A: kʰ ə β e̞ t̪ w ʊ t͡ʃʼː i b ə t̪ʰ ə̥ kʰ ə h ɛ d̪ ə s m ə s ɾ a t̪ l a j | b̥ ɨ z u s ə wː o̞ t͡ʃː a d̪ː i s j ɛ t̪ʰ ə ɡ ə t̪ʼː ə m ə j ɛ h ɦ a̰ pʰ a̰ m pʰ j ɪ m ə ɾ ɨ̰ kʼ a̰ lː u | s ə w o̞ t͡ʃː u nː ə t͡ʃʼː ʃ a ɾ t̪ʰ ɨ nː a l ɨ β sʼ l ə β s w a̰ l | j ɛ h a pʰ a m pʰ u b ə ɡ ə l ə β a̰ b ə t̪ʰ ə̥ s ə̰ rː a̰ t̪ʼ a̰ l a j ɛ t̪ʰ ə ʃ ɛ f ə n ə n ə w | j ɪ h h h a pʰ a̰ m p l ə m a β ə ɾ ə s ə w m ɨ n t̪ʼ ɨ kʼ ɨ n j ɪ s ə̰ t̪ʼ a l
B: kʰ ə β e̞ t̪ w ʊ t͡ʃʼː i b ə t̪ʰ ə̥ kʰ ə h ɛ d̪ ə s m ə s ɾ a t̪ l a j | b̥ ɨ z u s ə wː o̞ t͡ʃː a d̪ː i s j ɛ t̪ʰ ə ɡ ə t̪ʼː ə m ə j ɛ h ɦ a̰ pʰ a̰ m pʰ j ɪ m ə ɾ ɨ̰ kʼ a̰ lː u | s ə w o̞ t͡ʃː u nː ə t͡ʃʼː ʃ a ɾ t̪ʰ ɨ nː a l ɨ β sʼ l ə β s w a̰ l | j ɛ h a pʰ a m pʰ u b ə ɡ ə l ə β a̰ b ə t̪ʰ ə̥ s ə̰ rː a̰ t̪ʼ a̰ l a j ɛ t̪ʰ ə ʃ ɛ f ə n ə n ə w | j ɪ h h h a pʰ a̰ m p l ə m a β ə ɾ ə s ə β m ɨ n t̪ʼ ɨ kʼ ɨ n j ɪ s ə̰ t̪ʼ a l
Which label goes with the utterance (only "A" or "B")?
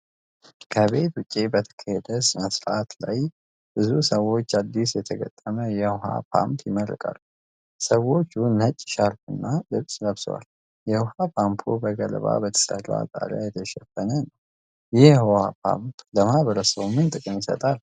A